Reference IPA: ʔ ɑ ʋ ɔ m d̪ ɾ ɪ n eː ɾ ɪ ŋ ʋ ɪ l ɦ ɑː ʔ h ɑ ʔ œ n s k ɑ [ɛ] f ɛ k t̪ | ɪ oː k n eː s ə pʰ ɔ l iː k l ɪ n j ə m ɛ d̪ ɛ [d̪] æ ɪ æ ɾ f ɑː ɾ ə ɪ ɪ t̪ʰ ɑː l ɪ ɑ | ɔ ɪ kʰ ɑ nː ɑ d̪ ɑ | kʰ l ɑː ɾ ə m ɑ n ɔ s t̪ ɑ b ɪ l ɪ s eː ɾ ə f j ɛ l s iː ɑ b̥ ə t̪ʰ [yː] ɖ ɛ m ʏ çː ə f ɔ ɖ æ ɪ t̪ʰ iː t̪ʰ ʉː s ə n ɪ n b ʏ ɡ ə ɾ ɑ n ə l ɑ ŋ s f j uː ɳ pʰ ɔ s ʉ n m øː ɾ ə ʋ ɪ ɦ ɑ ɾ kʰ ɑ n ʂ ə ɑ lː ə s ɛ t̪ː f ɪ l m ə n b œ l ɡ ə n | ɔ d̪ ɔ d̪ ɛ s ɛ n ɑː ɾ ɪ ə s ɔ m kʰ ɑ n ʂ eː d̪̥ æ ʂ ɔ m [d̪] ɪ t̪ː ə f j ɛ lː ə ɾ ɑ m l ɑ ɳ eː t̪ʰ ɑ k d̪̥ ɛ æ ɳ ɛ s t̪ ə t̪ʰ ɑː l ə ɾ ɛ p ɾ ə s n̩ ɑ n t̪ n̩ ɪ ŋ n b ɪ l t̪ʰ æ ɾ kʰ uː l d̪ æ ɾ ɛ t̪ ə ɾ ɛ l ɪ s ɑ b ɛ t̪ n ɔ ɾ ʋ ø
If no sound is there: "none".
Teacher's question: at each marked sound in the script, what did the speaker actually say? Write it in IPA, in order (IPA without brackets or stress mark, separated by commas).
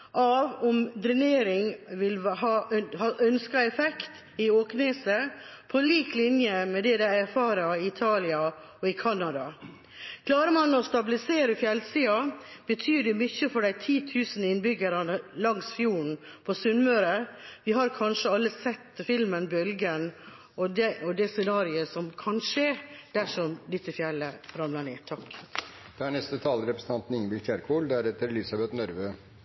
ɛ, d̪, yː, d̪